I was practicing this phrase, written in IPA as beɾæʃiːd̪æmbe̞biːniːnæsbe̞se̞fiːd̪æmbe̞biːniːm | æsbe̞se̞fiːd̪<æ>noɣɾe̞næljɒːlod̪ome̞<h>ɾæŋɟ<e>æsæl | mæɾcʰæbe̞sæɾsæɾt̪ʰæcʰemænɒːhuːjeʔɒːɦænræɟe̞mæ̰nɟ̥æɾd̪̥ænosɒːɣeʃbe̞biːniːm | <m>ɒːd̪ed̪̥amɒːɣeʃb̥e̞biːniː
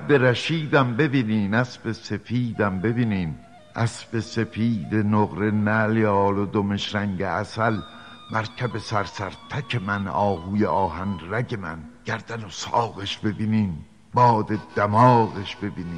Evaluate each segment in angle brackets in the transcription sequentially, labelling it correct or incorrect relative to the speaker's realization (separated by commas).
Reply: incorrect, incorrect, correct, incorrect